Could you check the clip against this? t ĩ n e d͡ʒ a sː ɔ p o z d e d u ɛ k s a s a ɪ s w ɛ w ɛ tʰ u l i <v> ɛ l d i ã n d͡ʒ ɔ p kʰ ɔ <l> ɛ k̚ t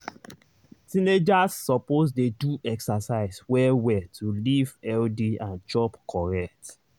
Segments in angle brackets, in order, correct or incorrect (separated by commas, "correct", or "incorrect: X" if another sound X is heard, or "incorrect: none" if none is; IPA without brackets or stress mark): correct, incorrect: ɹ